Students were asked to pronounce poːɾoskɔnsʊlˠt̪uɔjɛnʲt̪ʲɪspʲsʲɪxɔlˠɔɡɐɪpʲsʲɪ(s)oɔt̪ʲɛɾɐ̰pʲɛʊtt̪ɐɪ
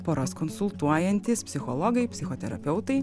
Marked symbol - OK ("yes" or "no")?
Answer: no